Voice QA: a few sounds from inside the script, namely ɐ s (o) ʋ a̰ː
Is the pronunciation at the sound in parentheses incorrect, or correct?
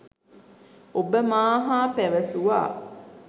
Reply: incorrect